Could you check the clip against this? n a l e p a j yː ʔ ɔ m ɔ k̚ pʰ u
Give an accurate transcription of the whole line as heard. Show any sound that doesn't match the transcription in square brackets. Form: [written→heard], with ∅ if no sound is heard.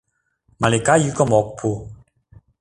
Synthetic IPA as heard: [n→m] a l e [p→k] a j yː [ʔ→k] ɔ m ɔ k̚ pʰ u